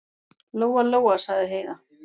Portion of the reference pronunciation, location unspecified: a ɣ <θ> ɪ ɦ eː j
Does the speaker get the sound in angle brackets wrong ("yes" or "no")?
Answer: yes